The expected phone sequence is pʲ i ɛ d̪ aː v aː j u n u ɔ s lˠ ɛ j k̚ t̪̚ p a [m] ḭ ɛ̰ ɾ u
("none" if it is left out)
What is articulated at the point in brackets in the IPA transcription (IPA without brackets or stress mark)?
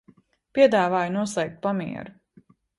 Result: m